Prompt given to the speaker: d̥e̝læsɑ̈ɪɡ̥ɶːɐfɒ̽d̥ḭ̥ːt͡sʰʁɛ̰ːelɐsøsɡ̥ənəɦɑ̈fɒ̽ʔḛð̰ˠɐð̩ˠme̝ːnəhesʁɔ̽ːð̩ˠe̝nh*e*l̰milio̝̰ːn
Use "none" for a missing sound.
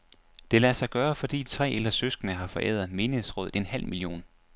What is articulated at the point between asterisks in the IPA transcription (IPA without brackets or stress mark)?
æ